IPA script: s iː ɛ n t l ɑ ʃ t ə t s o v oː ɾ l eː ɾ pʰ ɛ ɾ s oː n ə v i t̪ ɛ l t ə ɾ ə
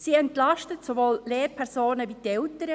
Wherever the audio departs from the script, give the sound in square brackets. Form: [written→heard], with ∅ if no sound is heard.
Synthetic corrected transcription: s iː ɛ n t l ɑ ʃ t ə t s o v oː [ɾ→l] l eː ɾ pʰ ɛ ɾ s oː n ə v i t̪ ɛ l t ə ɾ ə